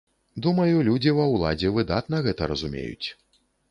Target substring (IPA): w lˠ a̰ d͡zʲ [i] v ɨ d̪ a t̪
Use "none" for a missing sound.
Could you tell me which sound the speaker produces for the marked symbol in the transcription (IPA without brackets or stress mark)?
ɛ